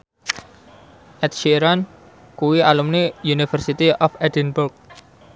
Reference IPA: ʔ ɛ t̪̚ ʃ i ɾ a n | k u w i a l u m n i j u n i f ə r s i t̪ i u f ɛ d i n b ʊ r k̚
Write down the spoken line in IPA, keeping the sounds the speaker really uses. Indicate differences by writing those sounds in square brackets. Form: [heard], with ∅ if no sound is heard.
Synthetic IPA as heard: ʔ ɛ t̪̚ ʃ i ɾ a n | k u w i a l u m n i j u n i f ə r s i t̪ i [ɔ] f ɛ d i n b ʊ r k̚